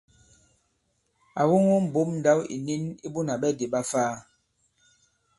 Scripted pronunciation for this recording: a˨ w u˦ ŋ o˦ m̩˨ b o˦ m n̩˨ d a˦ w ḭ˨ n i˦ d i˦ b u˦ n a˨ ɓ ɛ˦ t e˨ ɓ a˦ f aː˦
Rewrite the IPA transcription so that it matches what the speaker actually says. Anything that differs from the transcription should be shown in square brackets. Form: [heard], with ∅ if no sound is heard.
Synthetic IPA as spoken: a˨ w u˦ ŋ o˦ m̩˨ b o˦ m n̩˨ d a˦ w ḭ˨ n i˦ [n] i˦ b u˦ n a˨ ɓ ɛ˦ [d] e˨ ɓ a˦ f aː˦